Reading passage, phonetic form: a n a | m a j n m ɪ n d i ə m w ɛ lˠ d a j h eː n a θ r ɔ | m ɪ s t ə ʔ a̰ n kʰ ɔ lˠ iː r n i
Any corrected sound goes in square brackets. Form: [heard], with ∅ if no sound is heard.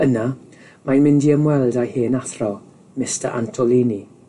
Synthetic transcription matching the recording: [ə] n a | m a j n m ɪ n d i ə m w ɛ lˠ d a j h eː n a θ r ɔ | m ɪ s t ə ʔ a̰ n [tʰ] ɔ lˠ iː [∅] n i